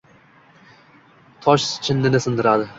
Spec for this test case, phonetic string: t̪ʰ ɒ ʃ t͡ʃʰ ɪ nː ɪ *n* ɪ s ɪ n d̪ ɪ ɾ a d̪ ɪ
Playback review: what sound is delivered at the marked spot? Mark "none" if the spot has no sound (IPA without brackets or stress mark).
n